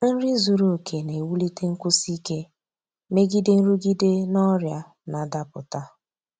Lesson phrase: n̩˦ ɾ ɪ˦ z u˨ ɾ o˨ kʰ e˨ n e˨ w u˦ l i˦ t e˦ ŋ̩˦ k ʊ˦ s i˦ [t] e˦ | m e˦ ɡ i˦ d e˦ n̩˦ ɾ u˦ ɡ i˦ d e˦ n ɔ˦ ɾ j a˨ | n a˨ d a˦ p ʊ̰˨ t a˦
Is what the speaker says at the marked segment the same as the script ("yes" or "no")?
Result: no